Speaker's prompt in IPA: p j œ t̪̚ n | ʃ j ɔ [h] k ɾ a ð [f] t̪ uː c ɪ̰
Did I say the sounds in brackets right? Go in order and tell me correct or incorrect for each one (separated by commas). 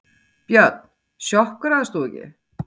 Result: correct, incorrect